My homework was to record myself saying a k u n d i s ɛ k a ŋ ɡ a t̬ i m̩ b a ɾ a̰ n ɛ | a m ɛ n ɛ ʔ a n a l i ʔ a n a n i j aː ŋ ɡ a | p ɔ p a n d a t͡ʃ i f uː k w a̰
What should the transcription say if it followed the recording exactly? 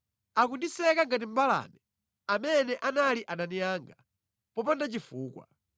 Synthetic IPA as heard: a k u n d i s ɛ k a ŋ ɡ a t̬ i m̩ b a l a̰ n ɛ | a m ɛ n ɛ ʔ a n a l i ʔ a n a n i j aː ŋ ɡ a | p ɔ p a n d a t͡ʃ i f uː k w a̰